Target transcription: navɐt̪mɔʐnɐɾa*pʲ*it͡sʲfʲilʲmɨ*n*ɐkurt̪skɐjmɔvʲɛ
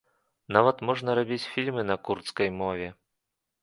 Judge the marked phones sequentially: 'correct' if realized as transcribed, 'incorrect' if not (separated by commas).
incorrect, correct